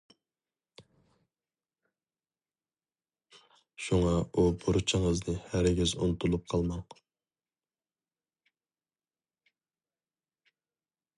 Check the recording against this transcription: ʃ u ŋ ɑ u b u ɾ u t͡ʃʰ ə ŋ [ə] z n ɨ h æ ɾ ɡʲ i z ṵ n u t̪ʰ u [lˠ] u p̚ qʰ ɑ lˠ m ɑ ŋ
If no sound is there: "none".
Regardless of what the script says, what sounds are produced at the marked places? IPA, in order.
ə, lˠ

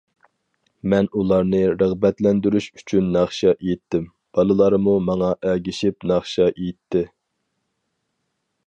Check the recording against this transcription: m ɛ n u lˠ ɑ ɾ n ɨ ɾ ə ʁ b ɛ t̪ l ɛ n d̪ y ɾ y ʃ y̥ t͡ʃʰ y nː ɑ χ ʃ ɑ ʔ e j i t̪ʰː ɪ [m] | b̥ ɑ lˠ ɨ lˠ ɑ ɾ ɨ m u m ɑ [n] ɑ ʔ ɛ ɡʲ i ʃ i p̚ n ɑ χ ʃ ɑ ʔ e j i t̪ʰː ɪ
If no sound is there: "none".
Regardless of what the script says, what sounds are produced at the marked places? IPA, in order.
m, ŋ

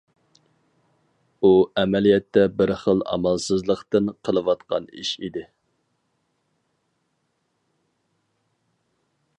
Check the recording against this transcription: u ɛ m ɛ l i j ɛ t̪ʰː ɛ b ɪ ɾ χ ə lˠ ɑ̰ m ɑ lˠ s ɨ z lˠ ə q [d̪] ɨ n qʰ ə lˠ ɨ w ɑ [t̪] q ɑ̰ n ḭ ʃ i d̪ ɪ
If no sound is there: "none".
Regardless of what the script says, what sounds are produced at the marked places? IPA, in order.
t̪, t̪

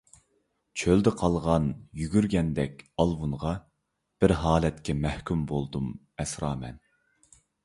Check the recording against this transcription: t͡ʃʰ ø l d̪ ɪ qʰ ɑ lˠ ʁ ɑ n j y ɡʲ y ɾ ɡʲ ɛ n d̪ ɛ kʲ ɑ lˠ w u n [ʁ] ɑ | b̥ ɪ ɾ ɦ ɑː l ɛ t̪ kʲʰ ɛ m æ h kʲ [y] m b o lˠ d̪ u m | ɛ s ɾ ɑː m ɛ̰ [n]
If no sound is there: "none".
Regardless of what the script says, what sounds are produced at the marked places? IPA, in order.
ʁ, y, n

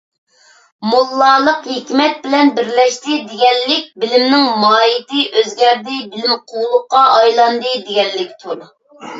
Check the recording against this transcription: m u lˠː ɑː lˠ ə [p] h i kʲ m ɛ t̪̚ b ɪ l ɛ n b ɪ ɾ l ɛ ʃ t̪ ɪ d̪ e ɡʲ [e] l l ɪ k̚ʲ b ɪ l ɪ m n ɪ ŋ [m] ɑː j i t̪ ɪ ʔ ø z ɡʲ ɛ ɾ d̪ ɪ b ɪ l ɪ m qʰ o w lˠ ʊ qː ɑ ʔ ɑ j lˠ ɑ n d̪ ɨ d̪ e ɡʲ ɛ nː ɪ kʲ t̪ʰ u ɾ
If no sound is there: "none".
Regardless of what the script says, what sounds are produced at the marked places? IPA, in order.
q, ɛ, m

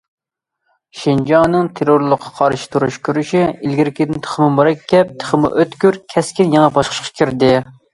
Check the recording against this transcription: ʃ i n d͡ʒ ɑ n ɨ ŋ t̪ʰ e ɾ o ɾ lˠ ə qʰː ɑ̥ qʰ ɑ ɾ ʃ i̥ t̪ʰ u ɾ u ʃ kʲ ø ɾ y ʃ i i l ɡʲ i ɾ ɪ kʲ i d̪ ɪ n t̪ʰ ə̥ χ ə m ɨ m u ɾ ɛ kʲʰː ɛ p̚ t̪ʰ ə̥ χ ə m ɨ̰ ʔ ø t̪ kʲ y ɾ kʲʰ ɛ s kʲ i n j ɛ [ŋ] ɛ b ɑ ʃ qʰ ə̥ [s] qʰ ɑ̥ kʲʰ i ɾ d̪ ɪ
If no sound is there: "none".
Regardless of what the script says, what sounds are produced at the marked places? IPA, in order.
ŋ, ʃ

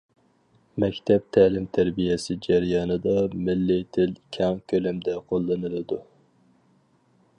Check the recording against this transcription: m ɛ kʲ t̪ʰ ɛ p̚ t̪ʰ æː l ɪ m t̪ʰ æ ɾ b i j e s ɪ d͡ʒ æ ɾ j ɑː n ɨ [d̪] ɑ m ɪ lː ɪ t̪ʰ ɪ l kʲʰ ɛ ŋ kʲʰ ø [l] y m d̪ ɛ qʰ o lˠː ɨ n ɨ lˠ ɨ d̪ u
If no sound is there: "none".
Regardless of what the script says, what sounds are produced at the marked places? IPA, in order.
d̪, l

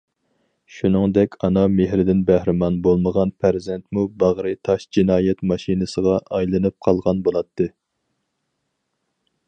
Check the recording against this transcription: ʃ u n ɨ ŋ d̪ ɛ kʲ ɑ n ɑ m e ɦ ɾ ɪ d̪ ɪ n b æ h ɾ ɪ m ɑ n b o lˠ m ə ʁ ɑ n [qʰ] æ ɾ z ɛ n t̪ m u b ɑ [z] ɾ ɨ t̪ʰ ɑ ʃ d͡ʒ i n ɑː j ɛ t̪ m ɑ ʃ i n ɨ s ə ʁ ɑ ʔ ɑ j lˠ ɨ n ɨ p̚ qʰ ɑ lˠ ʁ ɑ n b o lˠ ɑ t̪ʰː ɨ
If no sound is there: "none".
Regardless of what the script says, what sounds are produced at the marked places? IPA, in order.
pʰ, ʁ

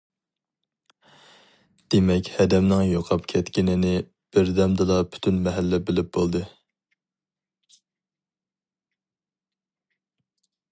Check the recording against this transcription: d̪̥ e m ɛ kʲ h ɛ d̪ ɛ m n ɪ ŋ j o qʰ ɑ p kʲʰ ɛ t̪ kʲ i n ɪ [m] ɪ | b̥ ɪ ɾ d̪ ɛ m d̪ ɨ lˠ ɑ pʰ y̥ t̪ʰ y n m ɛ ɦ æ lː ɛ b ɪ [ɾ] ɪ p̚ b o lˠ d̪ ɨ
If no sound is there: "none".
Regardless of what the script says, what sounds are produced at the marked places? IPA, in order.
n, l

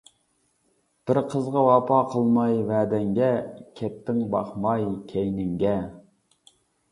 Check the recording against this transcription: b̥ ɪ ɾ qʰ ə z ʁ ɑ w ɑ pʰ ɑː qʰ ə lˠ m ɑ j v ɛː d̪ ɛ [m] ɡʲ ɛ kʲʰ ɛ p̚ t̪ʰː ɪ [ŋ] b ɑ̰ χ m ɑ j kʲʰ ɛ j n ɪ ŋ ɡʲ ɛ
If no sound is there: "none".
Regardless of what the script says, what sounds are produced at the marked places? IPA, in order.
ŋ, ŋ

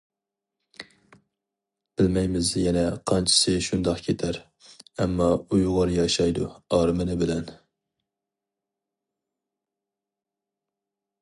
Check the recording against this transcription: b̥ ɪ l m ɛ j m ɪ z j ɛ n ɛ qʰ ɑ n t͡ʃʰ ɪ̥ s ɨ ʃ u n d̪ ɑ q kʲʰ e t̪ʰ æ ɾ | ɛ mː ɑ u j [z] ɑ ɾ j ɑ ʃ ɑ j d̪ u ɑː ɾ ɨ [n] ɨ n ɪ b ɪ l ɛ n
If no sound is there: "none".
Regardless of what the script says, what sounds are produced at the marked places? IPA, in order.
ʁ, m

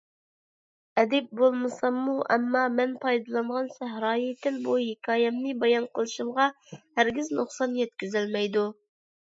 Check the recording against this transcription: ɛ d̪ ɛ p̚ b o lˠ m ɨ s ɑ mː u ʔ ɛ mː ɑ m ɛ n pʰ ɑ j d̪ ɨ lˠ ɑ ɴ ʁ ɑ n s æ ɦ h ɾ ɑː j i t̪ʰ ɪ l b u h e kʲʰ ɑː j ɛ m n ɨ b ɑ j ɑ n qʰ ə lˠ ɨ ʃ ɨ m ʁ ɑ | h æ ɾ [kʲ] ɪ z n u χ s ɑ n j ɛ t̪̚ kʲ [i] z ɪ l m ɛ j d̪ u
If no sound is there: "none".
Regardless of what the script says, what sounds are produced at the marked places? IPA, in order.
ɡʲ, y

